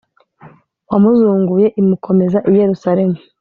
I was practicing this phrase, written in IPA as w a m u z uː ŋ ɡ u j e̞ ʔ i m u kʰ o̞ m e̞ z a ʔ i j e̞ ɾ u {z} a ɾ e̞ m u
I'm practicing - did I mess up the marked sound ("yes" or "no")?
yes